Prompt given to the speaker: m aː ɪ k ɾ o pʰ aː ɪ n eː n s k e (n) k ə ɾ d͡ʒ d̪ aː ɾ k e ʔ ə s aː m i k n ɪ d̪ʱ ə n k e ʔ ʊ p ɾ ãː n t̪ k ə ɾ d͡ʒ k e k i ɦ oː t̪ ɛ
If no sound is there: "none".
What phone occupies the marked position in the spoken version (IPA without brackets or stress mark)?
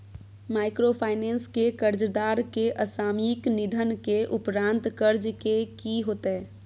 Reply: none